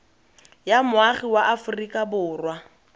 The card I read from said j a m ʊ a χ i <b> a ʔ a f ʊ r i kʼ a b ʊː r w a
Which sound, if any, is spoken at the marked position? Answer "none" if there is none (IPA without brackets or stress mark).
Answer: w